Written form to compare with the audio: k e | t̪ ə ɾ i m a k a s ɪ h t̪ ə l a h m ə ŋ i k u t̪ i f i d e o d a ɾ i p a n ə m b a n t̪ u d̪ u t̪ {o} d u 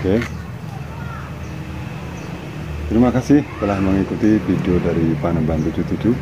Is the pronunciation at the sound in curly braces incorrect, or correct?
incorrect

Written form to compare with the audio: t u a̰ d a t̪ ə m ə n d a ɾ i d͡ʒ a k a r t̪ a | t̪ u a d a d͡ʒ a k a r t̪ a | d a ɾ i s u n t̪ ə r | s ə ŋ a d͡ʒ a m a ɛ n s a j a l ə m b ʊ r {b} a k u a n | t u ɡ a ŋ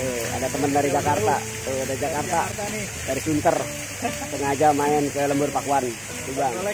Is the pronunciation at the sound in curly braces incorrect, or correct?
incorrect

